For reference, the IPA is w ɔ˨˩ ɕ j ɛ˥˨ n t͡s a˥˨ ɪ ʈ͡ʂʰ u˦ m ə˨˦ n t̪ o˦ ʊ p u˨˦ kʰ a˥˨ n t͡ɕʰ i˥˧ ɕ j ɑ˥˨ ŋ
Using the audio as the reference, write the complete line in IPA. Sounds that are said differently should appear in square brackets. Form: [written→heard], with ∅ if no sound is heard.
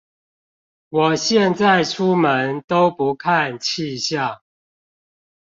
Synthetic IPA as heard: w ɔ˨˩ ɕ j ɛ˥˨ n t͡s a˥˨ ɪ ʈ͡ʂʰ u˦ m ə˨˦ n t̪ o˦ ʊ p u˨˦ kʰ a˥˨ n t͡ɕʰ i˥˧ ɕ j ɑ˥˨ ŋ